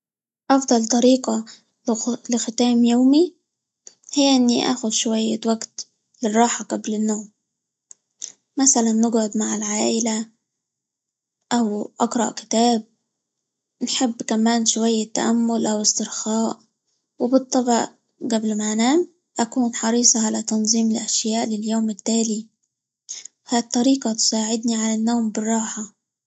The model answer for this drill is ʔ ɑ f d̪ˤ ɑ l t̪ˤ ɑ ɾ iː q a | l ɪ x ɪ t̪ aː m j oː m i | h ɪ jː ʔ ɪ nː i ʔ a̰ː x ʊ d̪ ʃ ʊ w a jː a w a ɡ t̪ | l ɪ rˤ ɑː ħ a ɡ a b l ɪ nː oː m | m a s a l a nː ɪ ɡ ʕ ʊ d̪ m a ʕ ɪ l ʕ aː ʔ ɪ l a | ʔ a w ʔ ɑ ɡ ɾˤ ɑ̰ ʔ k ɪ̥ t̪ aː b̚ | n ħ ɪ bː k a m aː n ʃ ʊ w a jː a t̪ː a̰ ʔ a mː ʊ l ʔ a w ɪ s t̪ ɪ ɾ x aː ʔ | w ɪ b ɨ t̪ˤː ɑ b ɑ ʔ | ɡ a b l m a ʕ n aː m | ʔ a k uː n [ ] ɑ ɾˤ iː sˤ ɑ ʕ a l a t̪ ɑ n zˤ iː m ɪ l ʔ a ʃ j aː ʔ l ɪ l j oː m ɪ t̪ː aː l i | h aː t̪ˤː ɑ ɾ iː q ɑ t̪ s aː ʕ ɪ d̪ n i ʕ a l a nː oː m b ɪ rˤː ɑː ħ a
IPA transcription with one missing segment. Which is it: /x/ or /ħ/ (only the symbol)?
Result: ħ